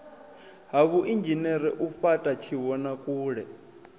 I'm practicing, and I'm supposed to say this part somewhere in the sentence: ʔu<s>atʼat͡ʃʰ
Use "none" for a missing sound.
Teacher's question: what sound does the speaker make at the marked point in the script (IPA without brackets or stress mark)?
f